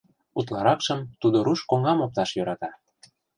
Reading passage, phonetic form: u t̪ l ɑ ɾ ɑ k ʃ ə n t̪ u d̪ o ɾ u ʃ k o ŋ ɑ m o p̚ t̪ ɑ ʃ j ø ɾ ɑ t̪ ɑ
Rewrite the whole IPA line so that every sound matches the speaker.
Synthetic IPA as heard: u t̪ l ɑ ɾ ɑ k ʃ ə m t̪ u d̪ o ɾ u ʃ k o ŋ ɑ m o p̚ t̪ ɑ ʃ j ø ɾ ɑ t̪ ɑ